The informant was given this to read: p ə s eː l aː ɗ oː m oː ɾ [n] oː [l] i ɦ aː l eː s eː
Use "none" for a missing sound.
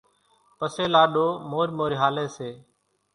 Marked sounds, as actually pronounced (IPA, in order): m, ɾ

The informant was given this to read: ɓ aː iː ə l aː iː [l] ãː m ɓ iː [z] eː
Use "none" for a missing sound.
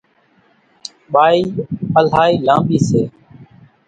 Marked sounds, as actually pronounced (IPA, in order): l, s

